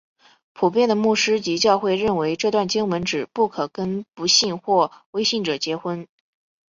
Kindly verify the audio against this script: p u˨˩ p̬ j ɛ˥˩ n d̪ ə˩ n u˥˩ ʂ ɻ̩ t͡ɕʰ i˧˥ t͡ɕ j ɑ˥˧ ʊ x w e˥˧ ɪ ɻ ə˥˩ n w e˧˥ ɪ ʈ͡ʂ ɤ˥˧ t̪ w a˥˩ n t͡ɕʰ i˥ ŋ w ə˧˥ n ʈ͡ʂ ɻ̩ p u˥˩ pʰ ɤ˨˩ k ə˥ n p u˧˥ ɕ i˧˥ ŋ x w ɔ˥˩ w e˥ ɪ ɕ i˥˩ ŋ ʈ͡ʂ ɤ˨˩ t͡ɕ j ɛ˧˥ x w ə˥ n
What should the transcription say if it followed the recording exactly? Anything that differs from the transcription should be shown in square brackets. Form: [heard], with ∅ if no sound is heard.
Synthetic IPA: [pʰ] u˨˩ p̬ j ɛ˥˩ n d̪ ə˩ [m] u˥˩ ʂ ɻ̩ [t͡ɕ] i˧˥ t͡ɕ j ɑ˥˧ ʊ x w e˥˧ ɪ ɻ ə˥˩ n w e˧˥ ɪ ʈ͡ʂ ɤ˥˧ t̪ w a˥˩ n [t͡ɕ] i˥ ŋ w ə˧˥ n ʈ͡ʂ ɻ̩ p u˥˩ [kʰ] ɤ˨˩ k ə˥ n p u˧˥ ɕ [i˥˧] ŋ x w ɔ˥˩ w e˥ ɪ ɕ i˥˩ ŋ ʈ͡ʂ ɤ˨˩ t͡ɕ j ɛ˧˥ x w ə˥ n